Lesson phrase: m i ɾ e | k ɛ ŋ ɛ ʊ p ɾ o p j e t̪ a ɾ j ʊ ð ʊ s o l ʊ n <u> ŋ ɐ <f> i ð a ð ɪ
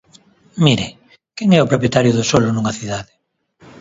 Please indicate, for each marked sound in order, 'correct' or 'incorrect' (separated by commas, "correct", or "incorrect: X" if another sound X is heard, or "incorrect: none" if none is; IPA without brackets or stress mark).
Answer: correct, incorrect: θ